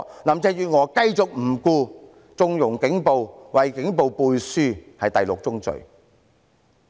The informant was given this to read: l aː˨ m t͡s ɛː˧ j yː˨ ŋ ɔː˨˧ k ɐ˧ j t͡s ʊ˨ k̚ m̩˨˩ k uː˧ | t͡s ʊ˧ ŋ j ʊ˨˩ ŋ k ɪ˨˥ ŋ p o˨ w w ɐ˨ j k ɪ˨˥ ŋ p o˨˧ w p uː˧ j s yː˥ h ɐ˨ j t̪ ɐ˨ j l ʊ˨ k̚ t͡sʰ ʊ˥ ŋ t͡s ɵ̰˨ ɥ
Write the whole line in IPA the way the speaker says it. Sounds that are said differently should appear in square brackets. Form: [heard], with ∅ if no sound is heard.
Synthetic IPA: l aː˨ m t͡s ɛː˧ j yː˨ ŋ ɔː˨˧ k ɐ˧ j t͡s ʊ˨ k̚ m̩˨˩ k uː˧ | t͡s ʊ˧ ŋ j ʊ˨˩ ŋ k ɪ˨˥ ŋ p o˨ w w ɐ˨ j k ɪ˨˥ ŋ p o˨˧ w p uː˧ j s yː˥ h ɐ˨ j t̪ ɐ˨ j l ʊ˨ k̚ [t͡s] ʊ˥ ŋ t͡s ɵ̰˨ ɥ

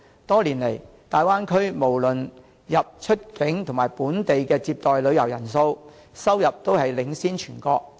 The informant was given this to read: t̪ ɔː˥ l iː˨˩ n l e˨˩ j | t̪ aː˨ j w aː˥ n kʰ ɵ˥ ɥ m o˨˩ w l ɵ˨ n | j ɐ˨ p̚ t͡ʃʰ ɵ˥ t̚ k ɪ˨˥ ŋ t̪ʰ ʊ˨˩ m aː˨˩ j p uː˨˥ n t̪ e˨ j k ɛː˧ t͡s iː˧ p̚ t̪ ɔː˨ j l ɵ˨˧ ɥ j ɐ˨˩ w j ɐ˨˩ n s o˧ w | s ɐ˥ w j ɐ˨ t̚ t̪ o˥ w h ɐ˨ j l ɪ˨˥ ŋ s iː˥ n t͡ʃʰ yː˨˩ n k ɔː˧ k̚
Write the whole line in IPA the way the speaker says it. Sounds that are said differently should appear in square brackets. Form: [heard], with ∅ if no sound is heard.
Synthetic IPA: t̪ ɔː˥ l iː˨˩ n l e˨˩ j | t̪ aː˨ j w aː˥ n kʰ ɵ˥ ɥ m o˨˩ w l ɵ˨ n | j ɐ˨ p̚ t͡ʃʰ ɵ˥ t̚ k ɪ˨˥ ŋ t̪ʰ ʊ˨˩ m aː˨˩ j p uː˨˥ n t̪ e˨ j k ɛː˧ t͡s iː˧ p̚ t̪ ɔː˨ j l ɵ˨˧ ɥ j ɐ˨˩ w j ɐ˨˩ n s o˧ w | s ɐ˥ w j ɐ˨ [p̚] t̪ o˥ w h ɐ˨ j l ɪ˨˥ ŋ s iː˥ n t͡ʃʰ yː˨˩ n k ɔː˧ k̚

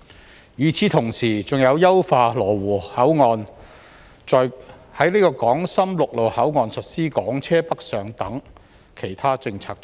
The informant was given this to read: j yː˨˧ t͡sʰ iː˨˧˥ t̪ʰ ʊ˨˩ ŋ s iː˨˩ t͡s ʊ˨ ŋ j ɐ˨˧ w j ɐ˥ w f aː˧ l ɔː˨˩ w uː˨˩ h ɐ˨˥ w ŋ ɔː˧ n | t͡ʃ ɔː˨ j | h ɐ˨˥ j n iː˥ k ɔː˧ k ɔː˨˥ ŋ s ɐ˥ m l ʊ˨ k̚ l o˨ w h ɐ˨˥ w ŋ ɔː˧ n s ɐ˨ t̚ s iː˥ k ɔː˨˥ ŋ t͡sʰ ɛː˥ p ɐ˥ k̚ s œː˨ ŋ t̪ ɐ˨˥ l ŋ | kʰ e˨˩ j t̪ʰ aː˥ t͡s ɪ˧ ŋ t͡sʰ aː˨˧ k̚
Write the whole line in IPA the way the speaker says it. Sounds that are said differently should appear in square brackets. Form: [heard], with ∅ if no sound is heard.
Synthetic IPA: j yː˨˧ t͡sʰ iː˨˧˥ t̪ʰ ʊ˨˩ ŋ s iː˨˩ t͡s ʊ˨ ŋ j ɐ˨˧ w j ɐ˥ w f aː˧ l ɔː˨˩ w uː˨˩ h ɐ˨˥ w ŋ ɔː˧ n | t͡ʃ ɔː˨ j | h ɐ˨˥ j n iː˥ k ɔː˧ k ɔː˨˥ ŋ s ɐ˥ m l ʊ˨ k̚ l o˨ w h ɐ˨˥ w ŋ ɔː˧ n s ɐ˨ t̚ s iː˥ k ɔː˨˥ ŋ t͡sʰ ɛː˥ p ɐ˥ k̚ s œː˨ ŋ t̪ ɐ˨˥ [∅] ŋ | kʰ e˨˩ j t̪ʰ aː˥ t͡s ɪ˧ ŋ t͡sʰ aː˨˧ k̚

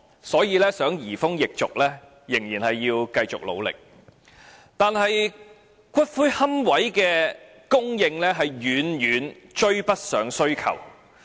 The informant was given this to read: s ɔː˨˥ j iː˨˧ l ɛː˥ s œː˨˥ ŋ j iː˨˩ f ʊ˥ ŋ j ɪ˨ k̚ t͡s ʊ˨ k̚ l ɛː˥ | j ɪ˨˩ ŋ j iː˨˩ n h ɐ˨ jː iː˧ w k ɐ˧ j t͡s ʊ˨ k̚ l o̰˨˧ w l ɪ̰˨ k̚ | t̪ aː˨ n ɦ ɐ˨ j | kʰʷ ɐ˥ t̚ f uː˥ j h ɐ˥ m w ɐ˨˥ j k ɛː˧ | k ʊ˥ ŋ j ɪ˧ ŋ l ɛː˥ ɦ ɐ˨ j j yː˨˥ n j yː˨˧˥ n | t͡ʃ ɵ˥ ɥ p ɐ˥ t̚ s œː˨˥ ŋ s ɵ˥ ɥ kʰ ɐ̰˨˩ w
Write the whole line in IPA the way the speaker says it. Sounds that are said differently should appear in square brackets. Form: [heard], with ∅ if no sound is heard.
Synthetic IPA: s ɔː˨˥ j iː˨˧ l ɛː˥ s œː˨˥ ŋ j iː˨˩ f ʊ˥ ŋ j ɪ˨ k̚ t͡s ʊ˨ k̚ l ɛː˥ | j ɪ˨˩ ŋ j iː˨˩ n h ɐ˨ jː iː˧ w k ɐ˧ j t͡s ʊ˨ k̚ l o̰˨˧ w l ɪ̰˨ k̚ | t̪ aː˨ n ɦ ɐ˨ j | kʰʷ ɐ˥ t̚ f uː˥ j h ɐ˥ m w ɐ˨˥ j k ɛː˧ | k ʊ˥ ŋ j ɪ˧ ŋ l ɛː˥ ɦ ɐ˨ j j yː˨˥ n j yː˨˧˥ n | t͡ʃ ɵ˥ ɥ p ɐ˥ t̚ s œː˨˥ ŋ s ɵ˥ ɥ kʰ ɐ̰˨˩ w

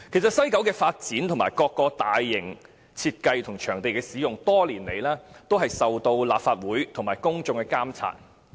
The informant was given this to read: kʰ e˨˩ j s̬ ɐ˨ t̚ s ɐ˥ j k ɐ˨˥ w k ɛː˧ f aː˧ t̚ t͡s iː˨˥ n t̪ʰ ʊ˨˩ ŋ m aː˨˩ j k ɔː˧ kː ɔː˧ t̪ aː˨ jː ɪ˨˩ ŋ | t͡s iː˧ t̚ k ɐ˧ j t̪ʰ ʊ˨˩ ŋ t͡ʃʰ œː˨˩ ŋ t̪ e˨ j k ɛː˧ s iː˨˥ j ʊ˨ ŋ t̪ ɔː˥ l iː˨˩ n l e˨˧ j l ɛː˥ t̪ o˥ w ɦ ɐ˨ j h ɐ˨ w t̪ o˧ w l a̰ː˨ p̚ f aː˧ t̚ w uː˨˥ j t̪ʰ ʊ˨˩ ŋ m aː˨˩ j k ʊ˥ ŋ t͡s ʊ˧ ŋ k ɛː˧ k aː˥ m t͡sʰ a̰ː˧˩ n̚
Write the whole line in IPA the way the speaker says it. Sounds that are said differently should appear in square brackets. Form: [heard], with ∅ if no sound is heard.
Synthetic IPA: kʰ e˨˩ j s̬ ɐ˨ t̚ s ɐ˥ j k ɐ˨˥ w k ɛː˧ f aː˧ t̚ t͡s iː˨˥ n t̪ʰ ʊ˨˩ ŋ m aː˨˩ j k ɔː˧ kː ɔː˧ t̪ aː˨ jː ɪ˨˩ ŋ | [t͡sʰ] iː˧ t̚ k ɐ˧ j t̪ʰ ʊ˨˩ ŋ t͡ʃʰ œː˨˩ ŋ t̪ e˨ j k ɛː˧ s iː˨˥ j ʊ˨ ŋ t̪ ɔː˥ l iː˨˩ n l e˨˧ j l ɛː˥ t̪ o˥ w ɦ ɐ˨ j [s] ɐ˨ w t̪ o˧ w l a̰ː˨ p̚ f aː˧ t̚ w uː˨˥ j t̪ʰ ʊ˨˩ ŋ m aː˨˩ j k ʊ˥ ŋ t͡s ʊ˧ ŋ k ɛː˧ k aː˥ m t͡sʰ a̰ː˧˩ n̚

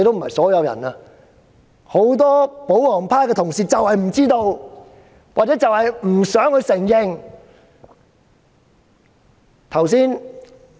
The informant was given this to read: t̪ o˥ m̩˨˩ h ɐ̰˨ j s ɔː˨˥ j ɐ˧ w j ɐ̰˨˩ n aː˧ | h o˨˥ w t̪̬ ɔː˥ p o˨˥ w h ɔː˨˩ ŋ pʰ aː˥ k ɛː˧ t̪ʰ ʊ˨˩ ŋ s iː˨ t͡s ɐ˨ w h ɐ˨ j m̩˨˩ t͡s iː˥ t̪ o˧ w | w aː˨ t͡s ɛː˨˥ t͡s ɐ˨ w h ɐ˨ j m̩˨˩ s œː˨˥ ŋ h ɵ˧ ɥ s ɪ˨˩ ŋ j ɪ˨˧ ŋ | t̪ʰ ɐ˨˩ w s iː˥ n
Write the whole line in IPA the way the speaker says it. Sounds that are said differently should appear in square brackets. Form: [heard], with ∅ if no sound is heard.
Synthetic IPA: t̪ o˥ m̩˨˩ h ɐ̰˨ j s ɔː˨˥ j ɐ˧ w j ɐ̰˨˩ n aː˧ | h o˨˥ w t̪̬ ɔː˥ p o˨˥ w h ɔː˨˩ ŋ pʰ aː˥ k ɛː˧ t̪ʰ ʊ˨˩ ŋ s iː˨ t͡s ɐ˨ w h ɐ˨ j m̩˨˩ t͡s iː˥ t̪ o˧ w | w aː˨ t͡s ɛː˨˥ t͡s ɐ˨ w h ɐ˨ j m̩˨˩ s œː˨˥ ŋ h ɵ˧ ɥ s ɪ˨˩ ŋ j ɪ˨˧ ŋ | t̪ʰ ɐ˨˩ w s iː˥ n

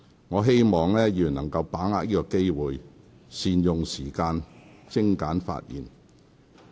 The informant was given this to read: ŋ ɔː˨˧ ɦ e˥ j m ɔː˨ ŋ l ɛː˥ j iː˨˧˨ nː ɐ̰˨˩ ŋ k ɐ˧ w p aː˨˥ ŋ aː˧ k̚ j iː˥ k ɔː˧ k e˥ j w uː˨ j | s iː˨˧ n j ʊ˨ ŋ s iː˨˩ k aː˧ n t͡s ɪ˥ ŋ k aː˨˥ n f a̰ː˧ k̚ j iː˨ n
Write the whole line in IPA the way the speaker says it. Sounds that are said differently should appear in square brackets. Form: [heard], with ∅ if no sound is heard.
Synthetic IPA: ŋ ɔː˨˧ ɦ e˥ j m ɔː˨ ŋ l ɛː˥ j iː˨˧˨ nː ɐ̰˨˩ ŋ k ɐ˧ w p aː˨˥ ŋ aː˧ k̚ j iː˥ k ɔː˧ k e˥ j w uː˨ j | s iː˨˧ n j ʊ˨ ŋ s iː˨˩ k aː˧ n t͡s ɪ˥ ŋ k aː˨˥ n f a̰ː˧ [t̚] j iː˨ n

